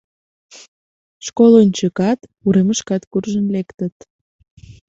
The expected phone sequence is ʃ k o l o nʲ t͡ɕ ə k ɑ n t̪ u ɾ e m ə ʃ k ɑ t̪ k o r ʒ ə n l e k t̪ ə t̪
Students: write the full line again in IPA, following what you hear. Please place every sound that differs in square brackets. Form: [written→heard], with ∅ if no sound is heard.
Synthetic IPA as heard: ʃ k o l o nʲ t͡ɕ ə k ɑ [n→∅] t̪ u ɾ e m ə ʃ k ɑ t̪ k [o→u] r ʒ ə n l e k t̪ ə t̪